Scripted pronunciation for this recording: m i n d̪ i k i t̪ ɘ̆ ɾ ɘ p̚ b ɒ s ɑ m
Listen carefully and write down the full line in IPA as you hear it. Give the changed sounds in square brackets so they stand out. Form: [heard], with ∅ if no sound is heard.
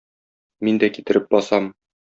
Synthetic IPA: m i n d̪ [æ] k i t̪ ɘ̆ ɾ ɘ p̚ b ɒ s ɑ m